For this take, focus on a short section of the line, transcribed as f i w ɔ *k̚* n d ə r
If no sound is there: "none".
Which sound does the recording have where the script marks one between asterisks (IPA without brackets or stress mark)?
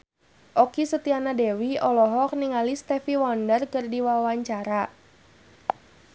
none